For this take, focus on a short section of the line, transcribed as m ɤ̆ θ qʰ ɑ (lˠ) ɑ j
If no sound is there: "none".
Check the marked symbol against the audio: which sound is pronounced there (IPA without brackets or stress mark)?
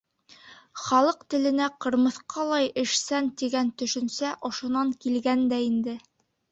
lˠ